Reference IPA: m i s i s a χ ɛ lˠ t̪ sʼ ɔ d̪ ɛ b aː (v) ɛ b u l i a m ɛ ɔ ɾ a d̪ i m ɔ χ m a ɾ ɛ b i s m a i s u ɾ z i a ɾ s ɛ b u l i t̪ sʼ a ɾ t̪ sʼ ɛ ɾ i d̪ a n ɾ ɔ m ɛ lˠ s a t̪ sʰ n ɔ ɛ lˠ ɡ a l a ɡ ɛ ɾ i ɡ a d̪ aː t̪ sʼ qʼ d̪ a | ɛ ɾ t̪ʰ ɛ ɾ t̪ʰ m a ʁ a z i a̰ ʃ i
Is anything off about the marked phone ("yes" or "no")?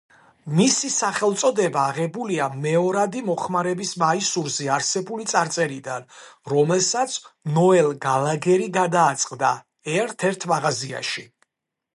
yes